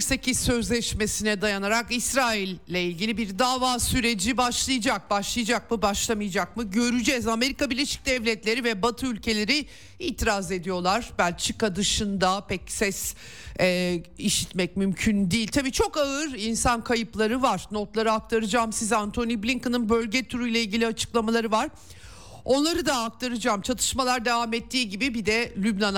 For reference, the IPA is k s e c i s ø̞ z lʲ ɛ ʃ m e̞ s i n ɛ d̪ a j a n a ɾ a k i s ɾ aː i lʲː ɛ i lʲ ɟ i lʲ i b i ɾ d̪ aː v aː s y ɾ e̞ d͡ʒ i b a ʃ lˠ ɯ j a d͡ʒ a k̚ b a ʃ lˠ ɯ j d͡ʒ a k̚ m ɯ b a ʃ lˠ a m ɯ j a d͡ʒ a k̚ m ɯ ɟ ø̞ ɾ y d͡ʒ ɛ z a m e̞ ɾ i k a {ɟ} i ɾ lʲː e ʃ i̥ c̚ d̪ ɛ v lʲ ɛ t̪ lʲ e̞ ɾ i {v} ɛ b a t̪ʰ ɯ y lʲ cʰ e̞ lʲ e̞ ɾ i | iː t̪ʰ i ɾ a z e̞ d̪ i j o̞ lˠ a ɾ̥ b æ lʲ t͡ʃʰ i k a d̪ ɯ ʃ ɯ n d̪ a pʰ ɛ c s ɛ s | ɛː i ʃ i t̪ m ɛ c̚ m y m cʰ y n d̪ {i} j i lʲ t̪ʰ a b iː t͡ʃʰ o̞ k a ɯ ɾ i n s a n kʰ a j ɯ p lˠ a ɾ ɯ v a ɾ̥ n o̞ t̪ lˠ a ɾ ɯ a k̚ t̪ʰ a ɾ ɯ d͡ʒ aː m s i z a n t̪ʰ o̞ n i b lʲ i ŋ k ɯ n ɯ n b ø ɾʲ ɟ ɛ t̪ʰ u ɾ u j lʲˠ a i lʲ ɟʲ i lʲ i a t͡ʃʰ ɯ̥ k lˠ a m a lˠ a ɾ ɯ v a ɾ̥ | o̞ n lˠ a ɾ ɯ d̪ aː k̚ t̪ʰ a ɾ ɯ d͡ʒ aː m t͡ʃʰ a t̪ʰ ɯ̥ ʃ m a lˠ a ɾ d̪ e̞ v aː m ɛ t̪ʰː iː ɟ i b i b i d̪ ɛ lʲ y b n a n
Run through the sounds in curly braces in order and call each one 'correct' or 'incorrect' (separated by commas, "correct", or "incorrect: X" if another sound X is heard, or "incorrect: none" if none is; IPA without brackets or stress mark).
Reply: incorrect: b, correct, correct